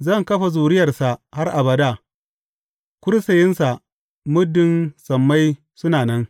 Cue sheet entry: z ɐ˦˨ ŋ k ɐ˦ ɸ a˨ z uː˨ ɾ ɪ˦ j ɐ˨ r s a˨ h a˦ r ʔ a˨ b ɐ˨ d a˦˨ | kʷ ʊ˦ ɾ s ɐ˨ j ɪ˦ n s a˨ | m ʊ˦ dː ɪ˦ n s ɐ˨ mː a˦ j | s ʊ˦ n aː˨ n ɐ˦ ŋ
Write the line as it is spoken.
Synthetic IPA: z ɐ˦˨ ŋ k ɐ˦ ɸ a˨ z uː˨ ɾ ɪ˦ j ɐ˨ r s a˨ h a˦ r ʔ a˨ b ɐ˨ d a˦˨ | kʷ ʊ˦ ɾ s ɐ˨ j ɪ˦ n s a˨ | m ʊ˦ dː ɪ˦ n s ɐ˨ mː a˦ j | s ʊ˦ n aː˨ n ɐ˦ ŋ

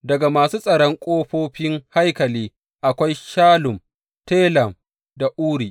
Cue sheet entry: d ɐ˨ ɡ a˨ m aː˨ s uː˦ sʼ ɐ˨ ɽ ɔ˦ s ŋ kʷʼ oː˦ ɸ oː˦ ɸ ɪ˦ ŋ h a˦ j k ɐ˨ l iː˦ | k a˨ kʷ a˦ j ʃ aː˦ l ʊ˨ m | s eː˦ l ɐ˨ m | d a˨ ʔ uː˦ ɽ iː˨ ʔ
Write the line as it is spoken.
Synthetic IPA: d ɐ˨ ɡ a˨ m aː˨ s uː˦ sʼ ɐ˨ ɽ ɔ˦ ŋ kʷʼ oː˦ ɸ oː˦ ɸ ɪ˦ ŋ h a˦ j k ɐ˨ l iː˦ | ʔ a˨ kʷ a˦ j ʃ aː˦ l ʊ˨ m | t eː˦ l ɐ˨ m | d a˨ ʔ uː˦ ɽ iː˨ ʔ

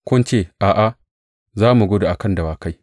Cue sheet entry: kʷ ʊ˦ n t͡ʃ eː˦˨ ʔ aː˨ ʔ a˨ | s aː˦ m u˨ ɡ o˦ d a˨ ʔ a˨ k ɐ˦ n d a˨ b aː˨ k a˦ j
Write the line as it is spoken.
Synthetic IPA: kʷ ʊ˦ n t͡ʃ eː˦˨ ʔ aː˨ ʔ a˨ | z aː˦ m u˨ ɡ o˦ d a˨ ʔ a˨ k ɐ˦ n d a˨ w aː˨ k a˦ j

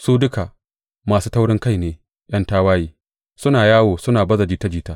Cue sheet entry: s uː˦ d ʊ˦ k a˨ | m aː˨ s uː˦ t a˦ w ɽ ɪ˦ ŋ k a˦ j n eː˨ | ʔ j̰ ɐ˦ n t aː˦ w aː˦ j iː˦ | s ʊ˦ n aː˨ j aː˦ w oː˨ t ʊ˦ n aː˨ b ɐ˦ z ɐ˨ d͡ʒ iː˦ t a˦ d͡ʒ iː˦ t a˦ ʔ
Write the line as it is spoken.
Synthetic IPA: s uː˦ d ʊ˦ k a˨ | m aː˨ s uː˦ t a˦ w ɽ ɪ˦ ŋ k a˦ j n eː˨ | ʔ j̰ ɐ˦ n t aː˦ w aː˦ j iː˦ | s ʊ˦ n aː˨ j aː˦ w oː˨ s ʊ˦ n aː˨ b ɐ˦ z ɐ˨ d͡ʒ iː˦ t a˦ d͡ʒ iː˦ t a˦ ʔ

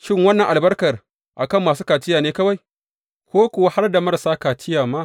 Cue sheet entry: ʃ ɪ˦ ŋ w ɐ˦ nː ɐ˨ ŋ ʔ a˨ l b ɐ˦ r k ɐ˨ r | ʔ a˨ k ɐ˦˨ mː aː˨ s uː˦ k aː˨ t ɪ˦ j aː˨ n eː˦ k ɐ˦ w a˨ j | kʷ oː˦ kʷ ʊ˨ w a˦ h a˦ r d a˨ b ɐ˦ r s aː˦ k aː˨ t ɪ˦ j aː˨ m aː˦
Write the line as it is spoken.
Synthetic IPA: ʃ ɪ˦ ŋ w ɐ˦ nː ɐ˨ ŋ ʔ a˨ l b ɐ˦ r k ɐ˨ r | ʔ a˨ k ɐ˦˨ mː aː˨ s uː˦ k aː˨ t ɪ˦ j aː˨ n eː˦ k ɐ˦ w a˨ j | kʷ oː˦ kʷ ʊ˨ w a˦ h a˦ r d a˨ m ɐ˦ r s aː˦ k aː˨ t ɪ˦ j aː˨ m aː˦

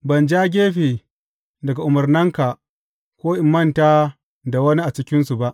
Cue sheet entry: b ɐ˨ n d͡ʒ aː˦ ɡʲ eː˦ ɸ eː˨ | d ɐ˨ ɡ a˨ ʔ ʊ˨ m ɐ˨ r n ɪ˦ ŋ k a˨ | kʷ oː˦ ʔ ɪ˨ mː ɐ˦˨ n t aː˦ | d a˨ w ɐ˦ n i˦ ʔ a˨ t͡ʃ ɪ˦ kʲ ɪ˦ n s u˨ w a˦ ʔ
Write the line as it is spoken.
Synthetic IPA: b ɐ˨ n d͡ʒ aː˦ ɡʲ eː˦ ɸ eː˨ | d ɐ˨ ɡ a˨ ʔ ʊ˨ m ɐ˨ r n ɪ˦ ŋ k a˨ | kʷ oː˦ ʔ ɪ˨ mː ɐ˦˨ n t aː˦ | d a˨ w ɐ˦ n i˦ ʔ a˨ t͡ʃ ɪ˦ kʲ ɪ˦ n s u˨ b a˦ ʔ

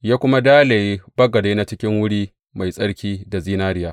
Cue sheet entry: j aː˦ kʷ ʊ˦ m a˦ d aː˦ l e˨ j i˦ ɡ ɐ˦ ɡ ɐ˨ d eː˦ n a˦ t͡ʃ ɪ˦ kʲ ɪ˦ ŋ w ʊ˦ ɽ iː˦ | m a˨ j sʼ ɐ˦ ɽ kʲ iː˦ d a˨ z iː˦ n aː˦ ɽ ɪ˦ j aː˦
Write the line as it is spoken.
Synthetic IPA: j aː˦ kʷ ʊ˦ m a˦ d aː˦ l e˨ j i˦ b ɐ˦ ɡ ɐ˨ d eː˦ n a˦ t͡ʃ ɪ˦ kʲ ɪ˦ ŋ w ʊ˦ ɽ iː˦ | m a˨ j sʼ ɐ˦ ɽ kʲ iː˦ d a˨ z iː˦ n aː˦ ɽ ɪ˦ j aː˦

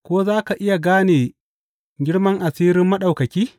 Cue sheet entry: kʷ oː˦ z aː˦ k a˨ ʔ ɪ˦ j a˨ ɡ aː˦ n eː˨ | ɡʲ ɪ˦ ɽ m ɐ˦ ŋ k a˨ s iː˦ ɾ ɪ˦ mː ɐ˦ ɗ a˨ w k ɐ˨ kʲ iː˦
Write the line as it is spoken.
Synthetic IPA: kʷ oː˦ z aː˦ k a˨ ʔ ɪ˦ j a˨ ɡ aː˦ n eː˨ | ɡʲ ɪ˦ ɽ m ɐ˦ ŋ ʔ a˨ s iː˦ ɾ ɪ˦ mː ɐ˦ ɗ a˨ w k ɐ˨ kʲ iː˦

